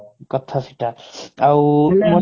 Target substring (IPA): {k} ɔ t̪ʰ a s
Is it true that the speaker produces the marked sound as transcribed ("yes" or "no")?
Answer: yes